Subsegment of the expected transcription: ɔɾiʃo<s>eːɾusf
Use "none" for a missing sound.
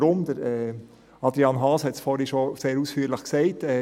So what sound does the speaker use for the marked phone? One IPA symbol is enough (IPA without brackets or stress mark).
s